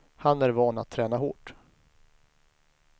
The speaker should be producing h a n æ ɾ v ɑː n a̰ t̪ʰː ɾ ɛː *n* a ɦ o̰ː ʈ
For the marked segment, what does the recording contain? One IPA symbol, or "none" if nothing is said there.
n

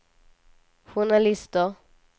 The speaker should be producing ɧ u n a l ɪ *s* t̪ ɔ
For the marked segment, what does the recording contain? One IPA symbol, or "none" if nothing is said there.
s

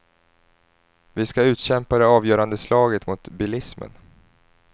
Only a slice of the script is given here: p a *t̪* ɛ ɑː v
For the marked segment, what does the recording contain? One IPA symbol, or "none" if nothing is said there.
d̪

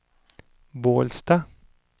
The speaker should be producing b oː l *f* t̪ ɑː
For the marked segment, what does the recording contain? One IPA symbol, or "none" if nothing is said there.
s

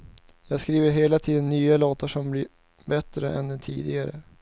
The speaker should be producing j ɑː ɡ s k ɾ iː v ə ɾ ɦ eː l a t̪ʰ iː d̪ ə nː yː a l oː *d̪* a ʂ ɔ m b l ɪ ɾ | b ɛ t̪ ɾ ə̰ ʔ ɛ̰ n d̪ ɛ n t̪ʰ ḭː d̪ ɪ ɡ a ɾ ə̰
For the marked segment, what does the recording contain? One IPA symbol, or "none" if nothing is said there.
t̪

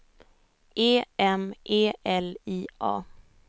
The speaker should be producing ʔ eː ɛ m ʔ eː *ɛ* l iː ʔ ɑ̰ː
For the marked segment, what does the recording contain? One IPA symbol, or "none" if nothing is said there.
ɛ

